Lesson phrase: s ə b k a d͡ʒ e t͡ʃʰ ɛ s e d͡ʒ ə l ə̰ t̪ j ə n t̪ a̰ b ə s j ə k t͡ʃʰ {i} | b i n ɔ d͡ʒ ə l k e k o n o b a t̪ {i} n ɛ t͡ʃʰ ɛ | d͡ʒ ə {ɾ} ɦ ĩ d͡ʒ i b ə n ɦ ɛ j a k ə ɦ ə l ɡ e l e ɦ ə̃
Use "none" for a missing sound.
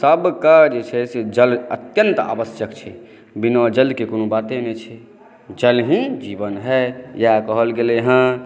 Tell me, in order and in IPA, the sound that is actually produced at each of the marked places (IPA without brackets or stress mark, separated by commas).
ɛ, e, l